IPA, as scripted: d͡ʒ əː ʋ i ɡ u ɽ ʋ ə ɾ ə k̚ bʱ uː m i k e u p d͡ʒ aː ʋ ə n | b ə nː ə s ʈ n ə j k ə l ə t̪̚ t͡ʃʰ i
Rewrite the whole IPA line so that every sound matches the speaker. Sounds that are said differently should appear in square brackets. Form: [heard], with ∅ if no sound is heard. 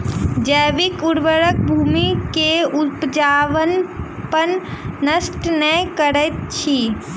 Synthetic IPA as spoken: d͡ʒ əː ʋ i [k] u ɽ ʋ ə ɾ ə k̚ bʱ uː m i k e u p d͡ʒ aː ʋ ə n | [p] ə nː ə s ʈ n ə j k ə [ɾ] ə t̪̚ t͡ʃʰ i